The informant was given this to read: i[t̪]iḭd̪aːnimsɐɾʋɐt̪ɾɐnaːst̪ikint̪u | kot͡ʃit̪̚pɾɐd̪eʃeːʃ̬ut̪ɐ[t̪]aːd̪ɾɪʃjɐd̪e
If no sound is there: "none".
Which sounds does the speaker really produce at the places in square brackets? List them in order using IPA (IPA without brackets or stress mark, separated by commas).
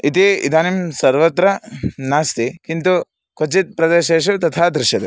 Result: t̪, t̪ʰ